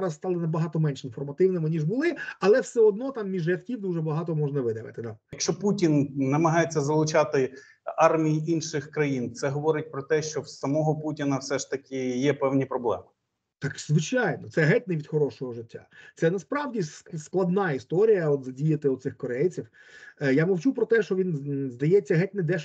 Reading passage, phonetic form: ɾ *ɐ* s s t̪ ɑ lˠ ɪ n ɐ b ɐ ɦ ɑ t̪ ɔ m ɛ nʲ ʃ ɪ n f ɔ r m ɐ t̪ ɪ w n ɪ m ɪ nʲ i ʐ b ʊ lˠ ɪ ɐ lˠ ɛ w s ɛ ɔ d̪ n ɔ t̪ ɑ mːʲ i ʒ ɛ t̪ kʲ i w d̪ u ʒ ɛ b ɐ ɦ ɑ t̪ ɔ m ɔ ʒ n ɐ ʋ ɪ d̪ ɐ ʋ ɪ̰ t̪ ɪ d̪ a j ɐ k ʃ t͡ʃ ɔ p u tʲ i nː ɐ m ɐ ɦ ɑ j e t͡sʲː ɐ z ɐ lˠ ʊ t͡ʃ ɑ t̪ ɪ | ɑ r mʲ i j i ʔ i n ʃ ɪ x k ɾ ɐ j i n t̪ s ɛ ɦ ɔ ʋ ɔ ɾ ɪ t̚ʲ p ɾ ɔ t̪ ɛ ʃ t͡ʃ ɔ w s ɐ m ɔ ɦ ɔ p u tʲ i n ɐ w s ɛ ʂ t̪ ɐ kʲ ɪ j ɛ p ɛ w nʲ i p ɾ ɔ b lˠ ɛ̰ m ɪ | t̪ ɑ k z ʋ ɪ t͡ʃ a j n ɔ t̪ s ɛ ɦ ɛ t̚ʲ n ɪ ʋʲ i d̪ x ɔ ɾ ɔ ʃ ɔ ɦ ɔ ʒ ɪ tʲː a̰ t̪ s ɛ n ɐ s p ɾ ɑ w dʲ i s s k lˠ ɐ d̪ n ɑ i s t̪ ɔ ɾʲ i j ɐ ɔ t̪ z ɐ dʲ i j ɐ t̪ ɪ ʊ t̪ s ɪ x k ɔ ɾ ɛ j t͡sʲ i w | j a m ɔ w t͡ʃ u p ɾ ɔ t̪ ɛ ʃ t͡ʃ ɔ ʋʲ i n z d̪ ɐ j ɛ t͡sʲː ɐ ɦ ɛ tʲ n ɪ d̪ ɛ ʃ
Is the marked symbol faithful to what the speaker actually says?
yes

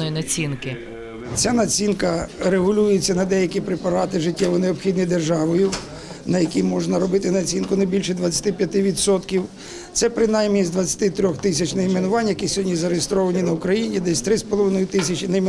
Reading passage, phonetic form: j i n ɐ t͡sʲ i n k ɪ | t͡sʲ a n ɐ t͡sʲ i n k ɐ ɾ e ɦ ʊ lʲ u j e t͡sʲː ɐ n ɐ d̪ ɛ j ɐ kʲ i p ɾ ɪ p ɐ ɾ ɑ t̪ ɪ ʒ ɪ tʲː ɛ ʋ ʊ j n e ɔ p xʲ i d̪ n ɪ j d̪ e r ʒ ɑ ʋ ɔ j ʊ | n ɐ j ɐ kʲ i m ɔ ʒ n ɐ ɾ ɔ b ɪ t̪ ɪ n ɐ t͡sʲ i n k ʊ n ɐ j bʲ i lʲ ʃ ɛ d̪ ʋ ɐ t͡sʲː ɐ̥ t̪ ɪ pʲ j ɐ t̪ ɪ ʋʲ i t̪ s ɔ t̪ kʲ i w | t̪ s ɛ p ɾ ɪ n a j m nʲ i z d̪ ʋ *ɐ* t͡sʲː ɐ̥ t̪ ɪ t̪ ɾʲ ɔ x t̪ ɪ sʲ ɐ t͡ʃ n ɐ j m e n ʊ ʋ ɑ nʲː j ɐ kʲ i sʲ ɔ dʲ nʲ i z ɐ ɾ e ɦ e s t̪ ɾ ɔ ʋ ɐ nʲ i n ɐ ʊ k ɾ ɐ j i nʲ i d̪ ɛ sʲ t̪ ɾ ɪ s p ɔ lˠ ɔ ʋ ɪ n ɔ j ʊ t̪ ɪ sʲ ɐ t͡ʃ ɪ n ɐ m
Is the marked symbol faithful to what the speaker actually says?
yes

